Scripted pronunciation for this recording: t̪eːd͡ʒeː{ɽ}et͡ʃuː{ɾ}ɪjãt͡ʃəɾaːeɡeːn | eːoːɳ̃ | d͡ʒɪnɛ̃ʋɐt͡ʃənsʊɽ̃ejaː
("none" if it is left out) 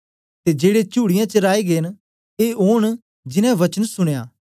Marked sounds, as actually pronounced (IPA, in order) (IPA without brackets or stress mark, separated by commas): ɽ, ɽ